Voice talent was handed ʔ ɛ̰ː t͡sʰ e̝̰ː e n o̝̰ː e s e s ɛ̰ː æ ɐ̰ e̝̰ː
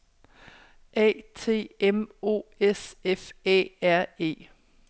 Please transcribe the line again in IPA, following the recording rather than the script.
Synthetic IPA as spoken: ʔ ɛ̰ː t͡sʰ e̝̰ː e m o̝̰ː e s e f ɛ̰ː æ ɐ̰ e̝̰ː